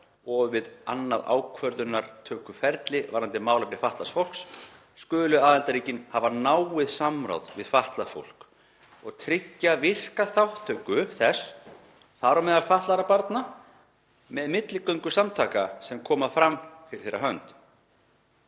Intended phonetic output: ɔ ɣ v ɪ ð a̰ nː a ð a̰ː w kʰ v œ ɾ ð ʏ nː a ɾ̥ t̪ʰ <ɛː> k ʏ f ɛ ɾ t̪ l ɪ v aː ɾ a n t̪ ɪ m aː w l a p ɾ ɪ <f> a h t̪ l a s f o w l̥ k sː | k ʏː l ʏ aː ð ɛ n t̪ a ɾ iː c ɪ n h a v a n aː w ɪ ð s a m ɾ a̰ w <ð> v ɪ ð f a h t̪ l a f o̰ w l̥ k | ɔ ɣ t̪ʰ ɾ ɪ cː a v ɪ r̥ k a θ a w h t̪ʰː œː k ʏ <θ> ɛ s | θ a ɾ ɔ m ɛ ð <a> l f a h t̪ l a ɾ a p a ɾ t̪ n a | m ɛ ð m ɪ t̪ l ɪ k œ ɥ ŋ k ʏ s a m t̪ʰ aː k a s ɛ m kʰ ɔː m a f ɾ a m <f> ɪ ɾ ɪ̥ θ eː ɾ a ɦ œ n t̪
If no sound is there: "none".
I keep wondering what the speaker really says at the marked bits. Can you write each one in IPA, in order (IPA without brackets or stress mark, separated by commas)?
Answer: œː, f, ð, θ, a, f